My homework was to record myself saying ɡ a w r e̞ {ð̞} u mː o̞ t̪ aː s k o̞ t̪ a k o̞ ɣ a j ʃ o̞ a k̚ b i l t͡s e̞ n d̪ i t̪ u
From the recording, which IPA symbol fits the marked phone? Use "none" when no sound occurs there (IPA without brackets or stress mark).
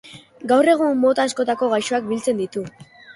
ɣ̞